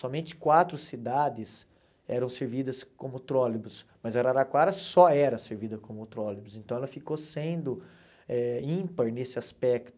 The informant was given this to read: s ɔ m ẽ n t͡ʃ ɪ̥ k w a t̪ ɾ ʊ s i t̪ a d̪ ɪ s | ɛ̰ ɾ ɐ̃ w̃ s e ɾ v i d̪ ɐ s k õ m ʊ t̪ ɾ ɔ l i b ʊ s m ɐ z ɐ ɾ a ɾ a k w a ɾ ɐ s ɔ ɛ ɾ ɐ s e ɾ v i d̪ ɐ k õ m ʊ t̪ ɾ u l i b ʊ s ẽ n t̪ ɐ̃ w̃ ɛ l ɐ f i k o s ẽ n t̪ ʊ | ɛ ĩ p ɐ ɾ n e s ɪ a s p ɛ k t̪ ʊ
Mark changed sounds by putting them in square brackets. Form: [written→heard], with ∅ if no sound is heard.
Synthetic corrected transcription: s ɔ m ẽ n t͡ʃ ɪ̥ k w a t̪ ɾ ʊ s i [t̪→d̪] a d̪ ɪ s | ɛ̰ ɾ ɐ̃ w̃ s e ɾ v i d̪ ɐ s k õ m ʊ t̪ ɾ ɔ l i b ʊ s m ɐ z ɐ ɾ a ɾ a k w a ɾ ɐ s ɔ ɛ ɾ ɐ s e ɾ v i d̪ ɐ k õ m ʊ t̪ ɾ [u→ɔ] l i b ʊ s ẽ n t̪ ɐ̃ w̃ ɛ l ɐ f i k o s ẽ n [t̪→d̪] ʊ | ɛ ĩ p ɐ ɾ n e s ɪ a s p ɛ k t̪ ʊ